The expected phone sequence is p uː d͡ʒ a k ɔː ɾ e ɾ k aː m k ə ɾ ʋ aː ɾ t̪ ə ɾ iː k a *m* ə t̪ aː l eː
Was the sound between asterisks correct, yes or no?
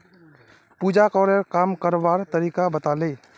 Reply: no